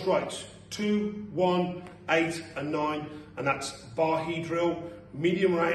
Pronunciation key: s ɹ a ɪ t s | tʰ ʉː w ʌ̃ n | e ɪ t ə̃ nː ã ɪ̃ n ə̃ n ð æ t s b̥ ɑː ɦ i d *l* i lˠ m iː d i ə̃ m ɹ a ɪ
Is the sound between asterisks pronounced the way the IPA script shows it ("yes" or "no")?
no